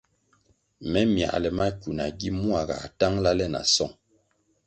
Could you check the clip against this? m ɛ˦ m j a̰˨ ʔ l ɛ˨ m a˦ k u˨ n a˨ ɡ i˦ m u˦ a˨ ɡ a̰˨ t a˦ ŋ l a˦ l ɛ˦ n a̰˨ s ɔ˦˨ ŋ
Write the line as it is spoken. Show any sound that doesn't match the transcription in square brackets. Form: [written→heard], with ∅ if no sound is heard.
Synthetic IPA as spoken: m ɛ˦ m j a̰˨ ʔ l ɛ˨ m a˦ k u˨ n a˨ ɡ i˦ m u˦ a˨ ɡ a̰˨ t a˦ ŋ l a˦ l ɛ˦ n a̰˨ s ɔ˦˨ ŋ